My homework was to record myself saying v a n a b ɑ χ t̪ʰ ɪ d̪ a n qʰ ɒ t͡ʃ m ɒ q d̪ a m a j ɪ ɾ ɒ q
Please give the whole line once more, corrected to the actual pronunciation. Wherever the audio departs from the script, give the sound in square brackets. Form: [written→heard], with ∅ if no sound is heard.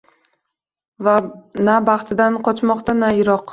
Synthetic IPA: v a n a b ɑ χ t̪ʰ ɪ d̪ a n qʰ ɒ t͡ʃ m ɒ q [d̪→t̪] a [m→n] a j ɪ ɾ ɒ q